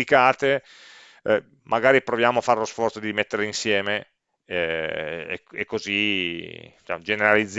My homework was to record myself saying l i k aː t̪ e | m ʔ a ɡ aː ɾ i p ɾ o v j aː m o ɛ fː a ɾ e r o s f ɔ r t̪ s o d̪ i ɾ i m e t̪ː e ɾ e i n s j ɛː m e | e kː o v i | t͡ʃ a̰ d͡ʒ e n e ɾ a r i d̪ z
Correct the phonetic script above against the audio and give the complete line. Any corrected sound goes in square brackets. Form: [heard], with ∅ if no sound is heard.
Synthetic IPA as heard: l i k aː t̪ e | m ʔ a ɡ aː ɾ i p ɾ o v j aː m o [a] fː a ɾ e [l] o s f ɔ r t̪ s o d̪ i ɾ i m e t̪ː e ɾ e i n s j ɛː m e | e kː o [z] i | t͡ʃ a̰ d͡ʒ e n e ɾ a [l] i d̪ z